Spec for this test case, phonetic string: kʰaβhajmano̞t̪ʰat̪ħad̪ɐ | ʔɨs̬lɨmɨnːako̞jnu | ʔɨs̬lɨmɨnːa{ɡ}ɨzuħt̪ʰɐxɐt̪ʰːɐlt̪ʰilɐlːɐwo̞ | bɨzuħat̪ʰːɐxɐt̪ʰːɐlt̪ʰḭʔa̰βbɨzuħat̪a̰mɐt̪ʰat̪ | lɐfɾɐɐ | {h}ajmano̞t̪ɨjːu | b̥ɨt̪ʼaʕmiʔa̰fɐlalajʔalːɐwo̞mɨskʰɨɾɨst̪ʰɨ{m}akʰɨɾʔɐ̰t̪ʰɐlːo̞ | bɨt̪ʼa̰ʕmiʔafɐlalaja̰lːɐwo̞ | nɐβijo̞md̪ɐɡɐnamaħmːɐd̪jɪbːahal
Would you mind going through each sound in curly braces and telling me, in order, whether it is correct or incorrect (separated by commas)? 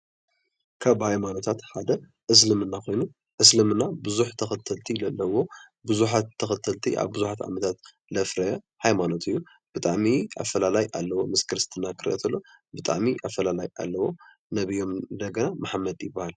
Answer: incorrect, correct, incorrect